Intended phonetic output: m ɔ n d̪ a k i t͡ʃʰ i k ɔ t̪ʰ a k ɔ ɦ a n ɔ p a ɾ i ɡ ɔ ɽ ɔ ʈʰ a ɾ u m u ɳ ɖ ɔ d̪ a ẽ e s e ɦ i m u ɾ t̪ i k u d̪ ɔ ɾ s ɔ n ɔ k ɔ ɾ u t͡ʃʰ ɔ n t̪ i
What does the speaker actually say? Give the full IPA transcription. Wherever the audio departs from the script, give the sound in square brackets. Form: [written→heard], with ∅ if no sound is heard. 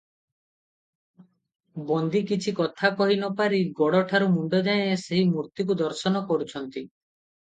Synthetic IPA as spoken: [m→b] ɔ n d̪ [a→i] k i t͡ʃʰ i k ɔ t̪ʰ a k ɔ ɦ [a→i] n ɔ p a ɾ i ɡ ɔ ɽ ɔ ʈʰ a ɾ u m u ɳ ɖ ɔ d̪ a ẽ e s e ɦ i m u ɾ t̪ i k u d̪ ɔ ɾ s ɔ n ɔ k ɔ ɾ u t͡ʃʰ ɔ n t̪ i

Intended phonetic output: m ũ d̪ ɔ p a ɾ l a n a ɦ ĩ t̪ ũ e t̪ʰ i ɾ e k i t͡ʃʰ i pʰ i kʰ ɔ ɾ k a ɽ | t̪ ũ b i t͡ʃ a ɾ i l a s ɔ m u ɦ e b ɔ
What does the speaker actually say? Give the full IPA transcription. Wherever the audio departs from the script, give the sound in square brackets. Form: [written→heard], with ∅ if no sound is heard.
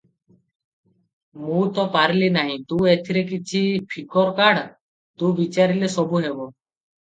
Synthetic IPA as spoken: m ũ [d̪→t̪] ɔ p a ɾ l [a→i] n a ɦ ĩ t̪ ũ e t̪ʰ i ɾ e k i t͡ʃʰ i pʰ i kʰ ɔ ɾ k a ɽ | t̪ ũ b i t͡ʃ a ɾ i l [a→e] s ɔ [m→b] u ɦ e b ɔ

